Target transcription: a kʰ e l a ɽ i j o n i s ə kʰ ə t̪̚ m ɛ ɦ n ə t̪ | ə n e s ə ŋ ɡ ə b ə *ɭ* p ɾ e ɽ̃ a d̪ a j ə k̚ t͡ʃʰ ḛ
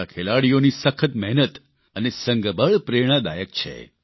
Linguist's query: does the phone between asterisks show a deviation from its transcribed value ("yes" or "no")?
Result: no